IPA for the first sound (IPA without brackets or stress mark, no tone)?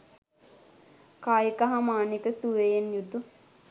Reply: k